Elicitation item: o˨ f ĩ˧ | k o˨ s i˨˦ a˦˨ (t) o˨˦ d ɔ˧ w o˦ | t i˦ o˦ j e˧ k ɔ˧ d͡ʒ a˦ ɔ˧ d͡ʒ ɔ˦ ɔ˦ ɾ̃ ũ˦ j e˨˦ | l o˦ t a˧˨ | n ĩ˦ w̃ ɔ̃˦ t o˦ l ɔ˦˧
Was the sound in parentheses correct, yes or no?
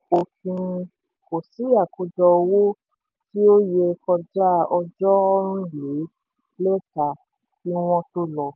no